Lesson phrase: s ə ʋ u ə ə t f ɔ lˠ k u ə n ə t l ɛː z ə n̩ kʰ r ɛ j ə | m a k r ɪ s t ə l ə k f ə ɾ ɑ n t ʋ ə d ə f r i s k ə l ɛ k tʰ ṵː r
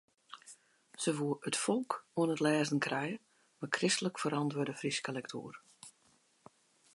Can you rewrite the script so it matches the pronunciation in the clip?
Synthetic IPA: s ə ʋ u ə ə t f ɔ lˠ k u ə n ə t l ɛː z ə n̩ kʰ r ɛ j ə | m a k r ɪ s t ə l ə k f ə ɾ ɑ n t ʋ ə d ə f r i s k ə l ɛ k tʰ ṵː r